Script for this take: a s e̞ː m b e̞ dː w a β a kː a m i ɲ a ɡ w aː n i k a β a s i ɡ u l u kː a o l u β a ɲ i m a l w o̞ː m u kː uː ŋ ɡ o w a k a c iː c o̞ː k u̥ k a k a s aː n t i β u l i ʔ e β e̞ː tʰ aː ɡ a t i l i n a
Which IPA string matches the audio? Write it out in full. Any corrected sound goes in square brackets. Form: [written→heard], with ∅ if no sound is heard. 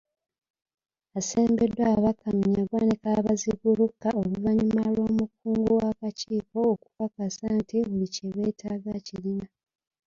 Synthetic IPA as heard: a s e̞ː m b e̞ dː w a β a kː a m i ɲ a ɡ w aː n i k a β a [s→z] i ɡ u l u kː a o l u [β→v] a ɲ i m a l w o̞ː m u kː uː ŋ ɡ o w a k a c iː [c→k] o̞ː k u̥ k a k a s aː n t i β u l i [ʔ→c] e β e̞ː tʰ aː ɡ a [t→c] i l i n a